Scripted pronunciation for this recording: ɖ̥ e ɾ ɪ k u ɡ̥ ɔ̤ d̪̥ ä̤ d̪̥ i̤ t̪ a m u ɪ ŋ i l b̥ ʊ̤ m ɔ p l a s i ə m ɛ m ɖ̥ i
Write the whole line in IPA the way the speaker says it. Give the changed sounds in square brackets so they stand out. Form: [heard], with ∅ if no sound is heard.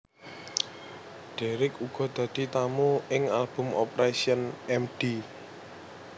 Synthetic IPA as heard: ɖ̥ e ɾ ɪ k u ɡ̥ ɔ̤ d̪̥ ä̤ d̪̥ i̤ t̪ a m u ɪ ŋ [a] l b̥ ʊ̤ m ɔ p [ɾ] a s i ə [n] ɛ m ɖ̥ i